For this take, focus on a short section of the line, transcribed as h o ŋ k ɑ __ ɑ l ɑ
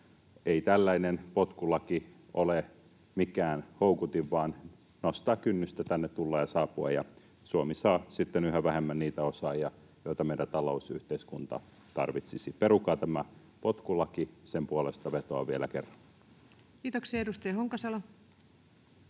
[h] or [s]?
s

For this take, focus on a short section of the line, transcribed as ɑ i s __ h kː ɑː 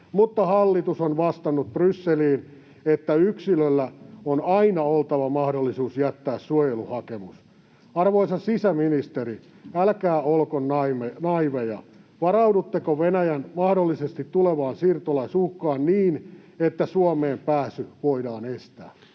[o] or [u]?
u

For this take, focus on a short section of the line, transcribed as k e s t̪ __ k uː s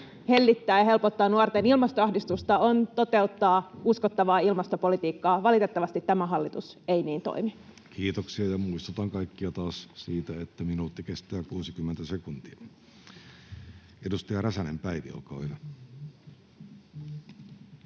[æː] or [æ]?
æː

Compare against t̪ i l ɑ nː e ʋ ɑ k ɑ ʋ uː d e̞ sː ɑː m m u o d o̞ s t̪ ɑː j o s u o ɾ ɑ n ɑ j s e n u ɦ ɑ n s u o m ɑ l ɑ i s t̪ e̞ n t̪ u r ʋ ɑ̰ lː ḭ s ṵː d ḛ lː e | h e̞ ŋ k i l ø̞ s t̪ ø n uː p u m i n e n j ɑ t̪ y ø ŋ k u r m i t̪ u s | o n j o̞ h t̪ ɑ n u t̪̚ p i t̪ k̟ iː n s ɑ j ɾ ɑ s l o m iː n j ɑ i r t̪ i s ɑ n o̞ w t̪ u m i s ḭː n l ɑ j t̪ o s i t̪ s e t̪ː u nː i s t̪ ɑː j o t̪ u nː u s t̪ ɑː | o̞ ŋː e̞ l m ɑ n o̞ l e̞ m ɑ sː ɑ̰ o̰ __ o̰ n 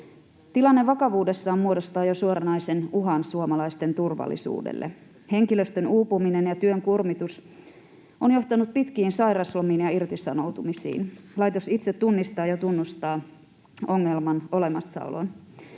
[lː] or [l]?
l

